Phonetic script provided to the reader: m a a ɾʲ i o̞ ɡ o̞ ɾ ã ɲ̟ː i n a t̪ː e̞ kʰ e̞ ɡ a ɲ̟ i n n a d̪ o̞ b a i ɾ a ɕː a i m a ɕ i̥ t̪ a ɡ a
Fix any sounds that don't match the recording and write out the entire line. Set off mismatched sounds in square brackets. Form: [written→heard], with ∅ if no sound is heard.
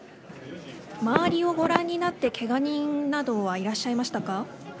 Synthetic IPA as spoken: m a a ɾʲ i o̞ ɡ o̞ ɾ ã ɲ̟ː i n a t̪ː e̞ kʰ e̞ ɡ a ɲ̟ [i→ĩ] n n a d̪ o̞ [b→β] a i ɾ a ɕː a i m a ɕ i̥ t̪ a [ɡ→k] a